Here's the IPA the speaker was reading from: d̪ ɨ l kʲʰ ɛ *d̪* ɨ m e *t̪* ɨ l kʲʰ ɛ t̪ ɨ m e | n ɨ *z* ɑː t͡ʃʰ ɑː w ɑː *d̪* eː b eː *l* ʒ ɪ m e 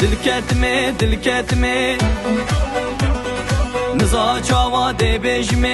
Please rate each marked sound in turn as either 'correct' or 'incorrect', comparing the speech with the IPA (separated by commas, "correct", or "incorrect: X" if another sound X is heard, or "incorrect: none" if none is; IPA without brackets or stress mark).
incorrect: t̪, incorrect: d̪, correct, correct, incorrect: none